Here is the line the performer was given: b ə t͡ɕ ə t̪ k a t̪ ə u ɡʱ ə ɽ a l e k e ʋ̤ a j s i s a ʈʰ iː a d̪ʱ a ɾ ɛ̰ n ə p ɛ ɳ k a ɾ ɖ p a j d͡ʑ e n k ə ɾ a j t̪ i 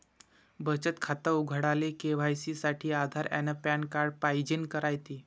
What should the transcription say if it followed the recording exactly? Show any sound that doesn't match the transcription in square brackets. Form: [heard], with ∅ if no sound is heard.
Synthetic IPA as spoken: b ə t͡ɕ ə t̪ [kʰ] a t̪ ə u ɡʱ ə ɽ a l e k e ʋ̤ a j s i s a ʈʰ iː a d̪ʱ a ɾ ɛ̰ n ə p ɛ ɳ k a ɾ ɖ p a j d͡ʑ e n k ə ɾ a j t̪ i